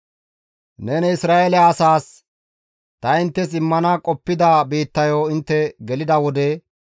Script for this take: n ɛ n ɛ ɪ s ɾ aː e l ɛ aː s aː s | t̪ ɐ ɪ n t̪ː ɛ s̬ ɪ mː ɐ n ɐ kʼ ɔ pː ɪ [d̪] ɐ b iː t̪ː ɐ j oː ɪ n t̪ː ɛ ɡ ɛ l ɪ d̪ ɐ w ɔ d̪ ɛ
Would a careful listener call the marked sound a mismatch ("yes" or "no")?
no